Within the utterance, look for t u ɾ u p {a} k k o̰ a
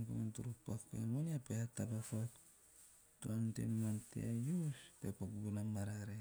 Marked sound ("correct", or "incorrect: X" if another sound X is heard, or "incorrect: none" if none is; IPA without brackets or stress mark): correct